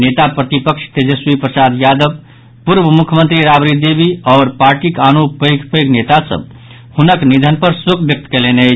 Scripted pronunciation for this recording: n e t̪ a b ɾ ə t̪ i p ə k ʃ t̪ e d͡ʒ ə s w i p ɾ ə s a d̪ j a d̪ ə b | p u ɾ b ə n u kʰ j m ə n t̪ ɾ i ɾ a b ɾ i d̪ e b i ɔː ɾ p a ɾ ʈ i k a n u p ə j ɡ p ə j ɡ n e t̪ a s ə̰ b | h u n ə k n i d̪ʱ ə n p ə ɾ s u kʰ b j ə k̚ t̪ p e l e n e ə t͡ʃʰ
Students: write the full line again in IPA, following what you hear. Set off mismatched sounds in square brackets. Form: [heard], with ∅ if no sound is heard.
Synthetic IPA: n e t̪ a [p] ɾ ə t̪ i p ə k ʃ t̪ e d͡ʒ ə s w i p ɾ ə s a d̪ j a d̪ ə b | p u ɾ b ə [m] u kʰ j m ə n t̪ ɾ i ɾ a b ɾ i d̪ e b i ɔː ɾ p a ɾ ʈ i k a n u p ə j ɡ p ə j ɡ n e t̪ a s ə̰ b | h u n ə k n i d̪ʱ ə n p ə ɾ s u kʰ b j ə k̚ t̪ [k] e l e n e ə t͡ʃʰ